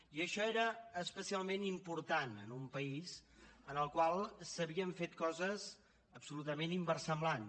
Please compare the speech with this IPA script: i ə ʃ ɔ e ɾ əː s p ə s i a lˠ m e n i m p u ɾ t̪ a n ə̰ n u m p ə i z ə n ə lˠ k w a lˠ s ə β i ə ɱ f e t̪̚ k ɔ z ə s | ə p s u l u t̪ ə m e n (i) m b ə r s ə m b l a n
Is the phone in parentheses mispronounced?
no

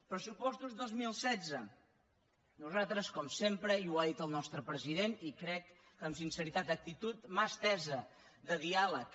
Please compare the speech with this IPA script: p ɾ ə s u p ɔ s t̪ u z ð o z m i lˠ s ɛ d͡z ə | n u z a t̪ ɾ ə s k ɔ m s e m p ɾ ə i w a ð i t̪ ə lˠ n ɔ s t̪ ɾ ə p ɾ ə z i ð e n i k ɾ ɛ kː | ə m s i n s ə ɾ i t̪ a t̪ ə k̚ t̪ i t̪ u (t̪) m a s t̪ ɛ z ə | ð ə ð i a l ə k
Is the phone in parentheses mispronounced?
no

